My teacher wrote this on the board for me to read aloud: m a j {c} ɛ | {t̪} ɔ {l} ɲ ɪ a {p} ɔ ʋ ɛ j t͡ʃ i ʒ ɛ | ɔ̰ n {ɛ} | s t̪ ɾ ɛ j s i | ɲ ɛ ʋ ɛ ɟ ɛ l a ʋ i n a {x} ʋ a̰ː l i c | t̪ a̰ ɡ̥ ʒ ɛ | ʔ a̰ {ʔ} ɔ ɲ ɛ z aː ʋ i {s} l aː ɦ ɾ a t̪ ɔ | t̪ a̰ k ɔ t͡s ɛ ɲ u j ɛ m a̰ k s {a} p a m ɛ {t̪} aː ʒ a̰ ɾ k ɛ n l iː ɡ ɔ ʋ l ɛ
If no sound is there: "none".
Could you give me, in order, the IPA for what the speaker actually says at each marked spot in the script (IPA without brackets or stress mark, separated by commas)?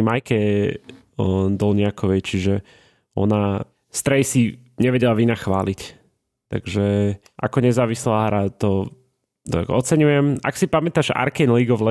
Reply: k, d̪, l, k, a, x, k, s, i, t̪